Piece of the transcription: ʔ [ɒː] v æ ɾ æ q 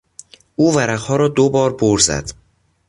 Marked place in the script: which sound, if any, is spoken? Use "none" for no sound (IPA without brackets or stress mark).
uː